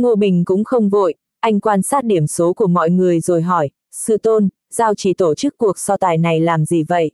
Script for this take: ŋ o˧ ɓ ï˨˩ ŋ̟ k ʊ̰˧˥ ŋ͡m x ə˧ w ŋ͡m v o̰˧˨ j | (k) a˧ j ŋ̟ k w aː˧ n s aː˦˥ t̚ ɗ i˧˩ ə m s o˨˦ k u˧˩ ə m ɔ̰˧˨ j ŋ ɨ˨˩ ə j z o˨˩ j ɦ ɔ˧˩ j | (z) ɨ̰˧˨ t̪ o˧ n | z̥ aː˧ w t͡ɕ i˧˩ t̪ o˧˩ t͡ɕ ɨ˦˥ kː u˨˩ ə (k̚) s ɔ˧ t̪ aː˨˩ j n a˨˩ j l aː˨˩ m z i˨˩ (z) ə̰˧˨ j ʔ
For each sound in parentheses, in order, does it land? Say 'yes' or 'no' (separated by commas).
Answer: no, no, yes, no